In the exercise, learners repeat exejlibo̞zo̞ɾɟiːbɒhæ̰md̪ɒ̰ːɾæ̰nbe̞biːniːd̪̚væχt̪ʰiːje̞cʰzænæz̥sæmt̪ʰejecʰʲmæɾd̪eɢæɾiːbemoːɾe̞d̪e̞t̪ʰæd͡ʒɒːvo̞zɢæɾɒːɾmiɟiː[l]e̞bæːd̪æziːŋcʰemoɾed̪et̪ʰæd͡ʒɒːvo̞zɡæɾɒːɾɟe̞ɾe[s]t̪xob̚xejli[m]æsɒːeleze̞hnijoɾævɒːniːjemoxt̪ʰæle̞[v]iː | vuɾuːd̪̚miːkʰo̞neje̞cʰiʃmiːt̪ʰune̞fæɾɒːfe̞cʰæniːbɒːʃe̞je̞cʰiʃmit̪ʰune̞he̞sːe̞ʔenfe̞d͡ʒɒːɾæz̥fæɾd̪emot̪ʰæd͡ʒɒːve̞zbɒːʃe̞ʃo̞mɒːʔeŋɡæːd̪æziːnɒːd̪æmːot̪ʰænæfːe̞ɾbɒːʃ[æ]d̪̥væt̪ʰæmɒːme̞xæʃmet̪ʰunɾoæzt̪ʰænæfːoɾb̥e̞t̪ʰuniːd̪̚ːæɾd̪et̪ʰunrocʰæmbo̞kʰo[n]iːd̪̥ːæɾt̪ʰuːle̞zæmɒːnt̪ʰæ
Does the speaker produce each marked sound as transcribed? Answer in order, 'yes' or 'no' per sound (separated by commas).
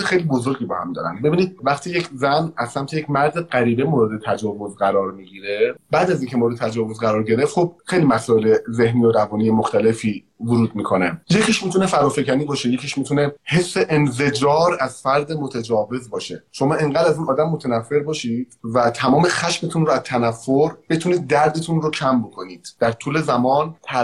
no, no, yes, no, no, yes